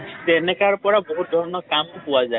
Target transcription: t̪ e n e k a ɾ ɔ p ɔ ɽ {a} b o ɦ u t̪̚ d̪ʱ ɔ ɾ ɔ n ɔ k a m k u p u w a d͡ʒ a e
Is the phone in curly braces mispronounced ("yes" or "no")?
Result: no